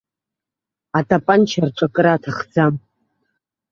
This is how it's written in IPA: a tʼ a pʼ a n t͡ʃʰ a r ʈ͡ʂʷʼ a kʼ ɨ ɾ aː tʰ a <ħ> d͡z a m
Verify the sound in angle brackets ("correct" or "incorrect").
incorrect